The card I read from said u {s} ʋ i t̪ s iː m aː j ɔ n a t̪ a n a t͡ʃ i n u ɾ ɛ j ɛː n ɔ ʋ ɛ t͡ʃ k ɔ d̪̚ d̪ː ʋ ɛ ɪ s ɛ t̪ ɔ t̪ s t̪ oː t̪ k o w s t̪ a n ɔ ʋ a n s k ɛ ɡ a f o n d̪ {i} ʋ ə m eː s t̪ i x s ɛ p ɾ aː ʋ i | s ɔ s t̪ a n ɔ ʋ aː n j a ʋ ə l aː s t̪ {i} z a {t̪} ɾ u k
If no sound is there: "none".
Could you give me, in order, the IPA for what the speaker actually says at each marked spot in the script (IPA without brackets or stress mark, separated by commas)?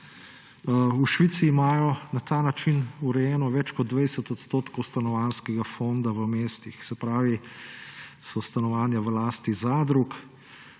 ʃ, a, i, d̪